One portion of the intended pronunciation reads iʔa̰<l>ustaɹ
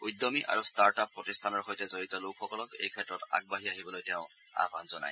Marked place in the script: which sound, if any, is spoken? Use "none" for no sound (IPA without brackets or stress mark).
ɹ